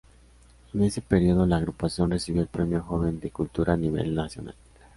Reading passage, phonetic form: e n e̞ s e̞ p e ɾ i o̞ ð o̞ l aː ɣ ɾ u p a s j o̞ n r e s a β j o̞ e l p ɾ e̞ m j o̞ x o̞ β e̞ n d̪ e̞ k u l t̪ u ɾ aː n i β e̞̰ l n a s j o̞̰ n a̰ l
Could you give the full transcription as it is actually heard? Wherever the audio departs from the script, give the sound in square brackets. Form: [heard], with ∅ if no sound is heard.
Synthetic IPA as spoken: e n e̞ s e̞ p e ɾ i o̞ ð o̞ l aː ɣ ɾ u p a s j o̞ n r e s [i] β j o̞ e l p ɾ e̞ m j o̞ x o̞ β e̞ n d̪ e̞ k u l t̪ u ɾ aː n i β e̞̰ l n a s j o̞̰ n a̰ l